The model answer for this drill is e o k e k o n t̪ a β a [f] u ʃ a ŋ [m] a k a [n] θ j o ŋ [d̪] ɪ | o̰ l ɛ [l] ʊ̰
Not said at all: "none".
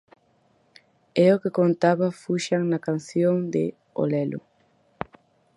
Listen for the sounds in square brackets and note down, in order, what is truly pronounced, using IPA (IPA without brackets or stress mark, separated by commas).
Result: f, n, n, d̪, l